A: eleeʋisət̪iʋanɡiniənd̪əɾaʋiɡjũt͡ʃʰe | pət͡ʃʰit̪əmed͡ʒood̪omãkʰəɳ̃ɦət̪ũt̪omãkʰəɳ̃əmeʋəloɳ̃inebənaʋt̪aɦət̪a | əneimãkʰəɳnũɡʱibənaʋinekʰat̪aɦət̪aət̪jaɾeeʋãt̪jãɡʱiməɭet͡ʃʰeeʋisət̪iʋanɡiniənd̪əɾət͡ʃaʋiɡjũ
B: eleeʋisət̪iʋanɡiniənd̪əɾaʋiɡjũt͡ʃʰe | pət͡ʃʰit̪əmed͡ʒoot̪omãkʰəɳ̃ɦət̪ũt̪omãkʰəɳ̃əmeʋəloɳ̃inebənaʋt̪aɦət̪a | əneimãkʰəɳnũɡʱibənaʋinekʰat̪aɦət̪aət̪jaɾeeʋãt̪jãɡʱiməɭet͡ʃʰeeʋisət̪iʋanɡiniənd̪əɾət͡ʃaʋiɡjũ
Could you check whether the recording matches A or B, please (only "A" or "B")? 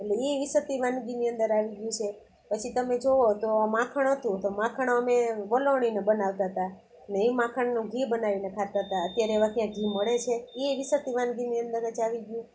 B